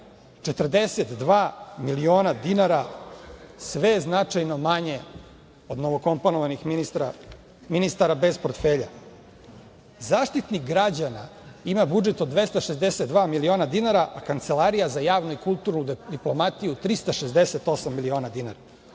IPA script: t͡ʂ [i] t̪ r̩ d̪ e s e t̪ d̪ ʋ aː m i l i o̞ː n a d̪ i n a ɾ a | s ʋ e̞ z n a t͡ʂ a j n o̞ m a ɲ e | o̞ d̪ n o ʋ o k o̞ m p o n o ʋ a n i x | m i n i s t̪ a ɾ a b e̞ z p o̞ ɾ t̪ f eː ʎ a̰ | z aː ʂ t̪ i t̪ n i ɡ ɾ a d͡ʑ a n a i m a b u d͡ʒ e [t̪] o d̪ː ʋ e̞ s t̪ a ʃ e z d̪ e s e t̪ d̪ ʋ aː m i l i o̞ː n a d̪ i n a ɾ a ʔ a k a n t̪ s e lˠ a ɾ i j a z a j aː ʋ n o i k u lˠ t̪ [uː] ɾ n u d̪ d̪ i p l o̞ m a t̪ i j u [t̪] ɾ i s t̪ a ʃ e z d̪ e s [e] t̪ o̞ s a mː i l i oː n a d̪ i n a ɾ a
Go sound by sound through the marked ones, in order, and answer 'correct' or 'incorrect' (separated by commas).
incorrect, correct, incorrect, correct, correct